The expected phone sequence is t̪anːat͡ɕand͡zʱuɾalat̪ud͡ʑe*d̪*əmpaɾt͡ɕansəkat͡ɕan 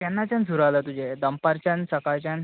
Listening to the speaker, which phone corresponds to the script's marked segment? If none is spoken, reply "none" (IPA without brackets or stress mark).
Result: d̪